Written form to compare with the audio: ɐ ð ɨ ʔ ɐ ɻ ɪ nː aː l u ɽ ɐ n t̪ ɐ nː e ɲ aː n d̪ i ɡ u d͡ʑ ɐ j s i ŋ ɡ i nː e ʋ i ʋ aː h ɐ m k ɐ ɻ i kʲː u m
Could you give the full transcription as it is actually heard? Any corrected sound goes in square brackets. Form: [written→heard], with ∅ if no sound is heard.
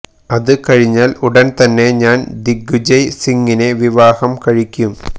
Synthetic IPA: ɐ ð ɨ [ʔ→k] ɐ ɻ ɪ [nː→ɲː] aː l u ɽ ɐ n t̪ ɐ nː e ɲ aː n d̪ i ɡ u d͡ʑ ɐ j s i ŋ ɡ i [nː→n] e ʋ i ʋ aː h ɐ m k ɐ ɻ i kʲː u m